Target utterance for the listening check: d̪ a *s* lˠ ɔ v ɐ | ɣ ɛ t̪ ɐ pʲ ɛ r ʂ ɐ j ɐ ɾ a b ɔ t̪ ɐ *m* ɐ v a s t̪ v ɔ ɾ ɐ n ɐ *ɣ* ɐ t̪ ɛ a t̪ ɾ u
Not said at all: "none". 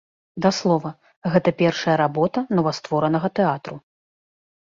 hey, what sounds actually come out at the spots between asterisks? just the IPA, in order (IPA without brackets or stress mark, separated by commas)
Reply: s, n, ɣ